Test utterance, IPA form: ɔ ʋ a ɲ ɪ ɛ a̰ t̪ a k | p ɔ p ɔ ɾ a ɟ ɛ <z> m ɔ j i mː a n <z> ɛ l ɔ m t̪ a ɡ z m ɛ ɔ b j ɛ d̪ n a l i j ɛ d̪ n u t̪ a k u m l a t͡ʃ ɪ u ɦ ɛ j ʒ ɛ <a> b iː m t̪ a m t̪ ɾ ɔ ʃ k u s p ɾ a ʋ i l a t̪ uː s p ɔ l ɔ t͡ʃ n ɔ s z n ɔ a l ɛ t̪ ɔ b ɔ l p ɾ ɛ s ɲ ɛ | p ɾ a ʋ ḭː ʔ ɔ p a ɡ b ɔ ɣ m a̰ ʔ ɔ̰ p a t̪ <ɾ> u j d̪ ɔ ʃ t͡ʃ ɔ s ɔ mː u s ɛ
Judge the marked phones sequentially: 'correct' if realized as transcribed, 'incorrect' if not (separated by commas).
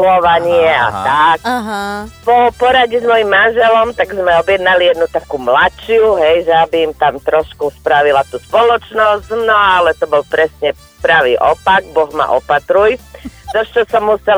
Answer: correct, incorrect, correct, correct